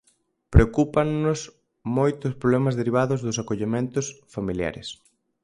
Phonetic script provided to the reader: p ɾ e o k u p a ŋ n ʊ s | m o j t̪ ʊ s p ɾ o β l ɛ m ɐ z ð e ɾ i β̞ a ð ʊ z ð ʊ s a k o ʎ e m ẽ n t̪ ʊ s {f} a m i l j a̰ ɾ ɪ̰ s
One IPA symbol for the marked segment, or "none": f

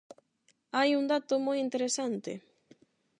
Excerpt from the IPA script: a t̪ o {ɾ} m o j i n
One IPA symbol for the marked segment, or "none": none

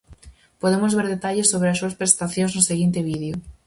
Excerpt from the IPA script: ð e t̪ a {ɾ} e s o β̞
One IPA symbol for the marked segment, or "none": ʎ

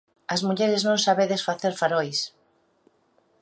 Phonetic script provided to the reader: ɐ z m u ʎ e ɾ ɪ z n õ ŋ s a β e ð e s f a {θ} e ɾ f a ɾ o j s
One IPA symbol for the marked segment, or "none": θ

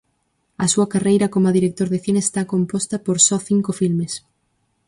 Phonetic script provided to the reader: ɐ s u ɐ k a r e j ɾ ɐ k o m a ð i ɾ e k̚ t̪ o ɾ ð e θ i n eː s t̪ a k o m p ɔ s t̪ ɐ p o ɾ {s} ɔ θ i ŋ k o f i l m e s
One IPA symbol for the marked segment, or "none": s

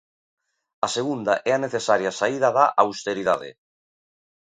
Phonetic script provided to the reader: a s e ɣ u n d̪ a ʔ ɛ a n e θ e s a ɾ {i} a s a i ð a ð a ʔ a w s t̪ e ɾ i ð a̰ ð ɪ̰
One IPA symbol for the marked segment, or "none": j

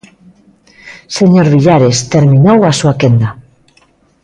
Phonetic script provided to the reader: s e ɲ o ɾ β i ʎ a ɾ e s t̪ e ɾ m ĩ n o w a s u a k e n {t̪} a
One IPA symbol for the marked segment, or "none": d̪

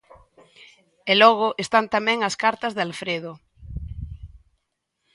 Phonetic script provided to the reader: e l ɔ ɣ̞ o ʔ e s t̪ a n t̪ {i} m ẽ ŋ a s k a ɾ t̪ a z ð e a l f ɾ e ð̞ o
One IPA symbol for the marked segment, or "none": a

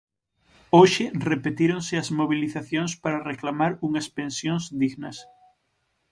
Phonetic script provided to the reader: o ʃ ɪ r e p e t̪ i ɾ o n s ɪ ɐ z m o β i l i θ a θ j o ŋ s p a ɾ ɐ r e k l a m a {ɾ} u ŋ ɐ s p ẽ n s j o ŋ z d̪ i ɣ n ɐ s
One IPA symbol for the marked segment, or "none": ɾ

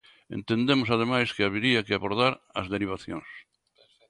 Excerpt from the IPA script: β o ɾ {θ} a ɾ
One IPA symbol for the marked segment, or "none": ð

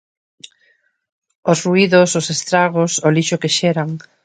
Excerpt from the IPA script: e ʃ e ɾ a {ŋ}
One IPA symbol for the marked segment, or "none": ŋ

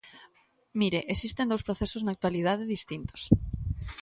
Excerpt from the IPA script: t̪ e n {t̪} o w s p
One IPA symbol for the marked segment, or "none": d̪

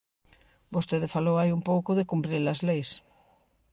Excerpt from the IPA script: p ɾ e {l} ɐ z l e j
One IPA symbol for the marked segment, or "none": l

